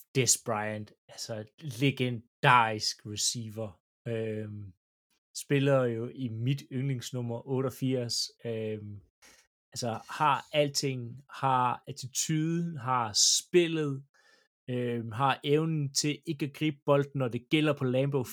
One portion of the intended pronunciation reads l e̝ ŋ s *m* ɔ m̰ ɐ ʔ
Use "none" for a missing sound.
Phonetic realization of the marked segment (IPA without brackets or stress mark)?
n